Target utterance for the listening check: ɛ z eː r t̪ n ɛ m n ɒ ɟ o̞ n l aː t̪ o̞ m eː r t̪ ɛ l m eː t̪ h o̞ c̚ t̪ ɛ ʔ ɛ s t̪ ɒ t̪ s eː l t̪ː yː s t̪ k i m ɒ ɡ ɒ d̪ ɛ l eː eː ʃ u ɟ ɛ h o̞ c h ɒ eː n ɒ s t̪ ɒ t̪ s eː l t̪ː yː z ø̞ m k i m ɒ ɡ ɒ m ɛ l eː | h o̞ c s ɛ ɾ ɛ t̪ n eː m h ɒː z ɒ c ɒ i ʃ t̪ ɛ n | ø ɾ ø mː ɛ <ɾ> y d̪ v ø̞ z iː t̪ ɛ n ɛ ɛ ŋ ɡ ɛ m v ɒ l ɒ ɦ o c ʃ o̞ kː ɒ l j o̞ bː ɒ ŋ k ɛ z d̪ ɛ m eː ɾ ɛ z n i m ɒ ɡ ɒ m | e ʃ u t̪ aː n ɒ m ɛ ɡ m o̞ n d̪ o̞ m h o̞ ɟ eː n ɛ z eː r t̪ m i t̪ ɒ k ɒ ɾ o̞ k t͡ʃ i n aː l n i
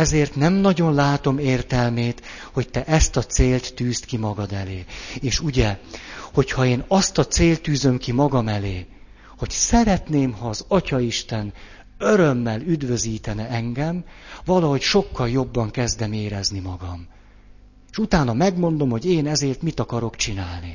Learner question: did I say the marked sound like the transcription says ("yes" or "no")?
no